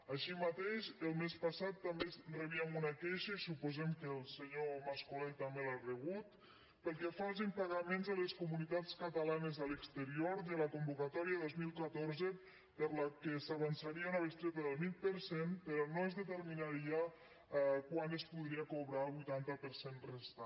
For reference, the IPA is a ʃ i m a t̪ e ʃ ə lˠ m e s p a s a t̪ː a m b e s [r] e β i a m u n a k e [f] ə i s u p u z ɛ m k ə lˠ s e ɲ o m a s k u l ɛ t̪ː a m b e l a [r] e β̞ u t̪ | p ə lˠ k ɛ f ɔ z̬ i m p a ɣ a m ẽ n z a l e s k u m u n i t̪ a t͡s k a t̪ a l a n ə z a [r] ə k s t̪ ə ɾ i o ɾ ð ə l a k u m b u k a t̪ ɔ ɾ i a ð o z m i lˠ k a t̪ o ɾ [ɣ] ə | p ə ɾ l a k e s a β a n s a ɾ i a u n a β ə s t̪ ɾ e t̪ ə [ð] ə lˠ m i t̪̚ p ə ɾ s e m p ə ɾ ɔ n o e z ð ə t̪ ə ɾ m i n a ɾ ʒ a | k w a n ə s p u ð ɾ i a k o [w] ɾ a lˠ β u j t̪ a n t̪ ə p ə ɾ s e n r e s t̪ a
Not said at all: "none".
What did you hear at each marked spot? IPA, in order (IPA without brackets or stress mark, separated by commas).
r, ʃ, r, l, z, ð, β